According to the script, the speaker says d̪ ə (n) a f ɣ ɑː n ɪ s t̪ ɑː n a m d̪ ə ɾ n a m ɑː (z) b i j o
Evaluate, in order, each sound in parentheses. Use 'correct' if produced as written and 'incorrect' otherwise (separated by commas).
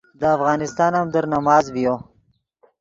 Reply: incorrect, correct